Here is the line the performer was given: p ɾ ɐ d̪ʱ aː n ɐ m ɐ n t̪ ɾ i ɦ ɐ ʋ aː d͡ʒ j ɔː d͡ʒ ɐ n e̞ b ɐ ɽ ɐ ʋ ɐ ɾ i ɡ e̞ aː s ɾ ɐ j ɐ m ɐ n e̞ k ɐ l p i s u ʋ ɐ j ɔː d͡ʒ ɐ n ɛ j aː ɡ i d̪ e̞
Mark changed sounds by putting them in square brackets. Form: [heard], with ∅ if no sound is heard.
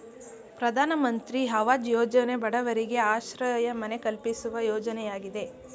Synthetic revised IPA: p ɾ ɐ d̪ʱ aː n ɐ m ɐ n t̪ ɾ i ɦ ɐ ʋ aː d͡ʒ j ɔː d͡ʒ ɐ n e̞ b ɐ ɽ ɐ ʋ ɐ ɾ i ɡ e̞ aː [ʃ] ɾ ɐ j ɐ m ɐ n e̞ k ɐ l p i s u ʋ ɐ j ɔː d͡ʒ ɐ n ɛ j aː ɡ i d̪ e̞